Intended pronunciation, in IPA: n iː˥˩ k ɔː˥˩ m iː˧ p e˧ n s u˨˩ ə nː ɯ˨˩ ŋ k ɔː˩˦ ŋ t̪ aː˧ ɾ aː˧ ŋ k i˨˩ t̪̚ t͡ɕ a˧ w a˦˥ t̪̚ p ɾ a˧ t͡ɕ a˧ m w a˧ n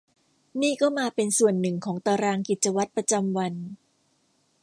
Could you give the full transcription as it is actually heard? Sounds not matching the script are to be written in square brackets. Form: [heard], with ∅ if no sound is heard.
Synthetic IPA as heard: n iː˥˩ k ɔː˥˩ m [aː˧] p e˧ n s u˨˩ ə nː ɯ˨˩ ŋ [kʰ] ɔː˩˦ ŋ t̪ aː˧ ɾ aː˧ ŋ k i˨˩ t̪̚ t͡ɕ a˧ w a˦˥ t̪̚ p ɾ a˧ t͡ɕ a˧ m w a˧ n

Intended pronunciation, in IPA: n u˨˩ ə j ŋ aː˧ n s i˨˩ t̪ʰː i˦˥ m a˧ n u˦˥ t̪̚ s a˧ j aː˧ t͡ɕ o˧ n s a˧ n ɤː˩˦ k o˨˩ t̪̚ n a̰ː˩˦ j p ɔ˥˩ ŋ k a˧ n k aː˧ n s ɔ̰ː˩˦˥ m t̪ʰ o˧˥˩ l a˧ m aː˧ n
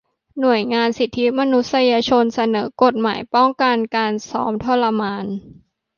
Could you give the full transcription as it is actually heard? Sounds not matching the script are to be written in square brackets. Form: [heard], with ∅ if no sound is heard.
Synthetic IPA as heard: n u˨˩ ə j ŋ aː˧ n s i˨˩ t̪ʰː i˦˥ m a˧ n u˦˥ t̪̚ s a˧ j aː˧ [t͡ɕʰ] o˧ n s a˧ n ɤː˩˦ k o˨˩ t̪̚ [m] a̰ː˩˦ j p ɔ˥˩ ŋ k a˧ n k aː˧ n s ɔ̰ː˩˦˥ m t̪ʰ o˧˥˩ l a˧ m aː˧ n

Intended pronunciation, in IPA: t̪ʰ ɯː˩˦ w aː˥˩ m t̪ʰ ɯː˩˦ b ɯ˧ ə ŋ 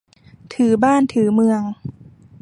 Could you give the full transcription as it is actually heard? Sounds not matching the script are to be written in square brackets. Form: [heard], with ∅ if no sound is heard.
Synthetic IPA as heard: t̪ʰ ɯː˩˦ [b] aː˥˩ [n] t̪ʰ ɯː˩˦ [m] ɯ˧ ə ŋ

